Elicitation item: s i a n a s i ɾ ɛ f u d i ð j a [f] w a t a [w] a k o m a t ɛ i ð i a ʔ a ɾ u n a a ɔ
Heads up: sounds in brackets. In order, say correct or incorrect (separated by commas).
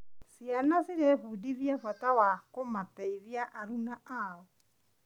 correct, correct